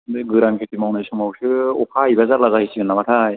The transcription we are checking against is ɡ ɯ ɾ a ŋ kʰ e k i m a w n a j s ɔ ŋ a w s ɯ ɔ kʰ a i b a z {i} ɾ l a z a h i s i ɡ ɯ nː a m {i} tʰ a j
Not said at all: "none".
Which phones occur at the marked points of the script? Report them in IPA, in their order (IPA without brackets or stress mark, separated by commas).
a, a